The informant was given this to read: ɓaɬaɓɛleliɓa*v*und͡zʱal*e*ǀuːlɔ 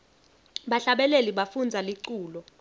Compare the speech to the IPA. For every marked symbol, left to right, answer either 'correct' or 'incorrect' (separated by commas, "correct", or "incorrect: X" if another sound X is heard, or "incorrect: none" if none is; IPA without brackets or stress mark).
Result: incorrect: f, incorrect: i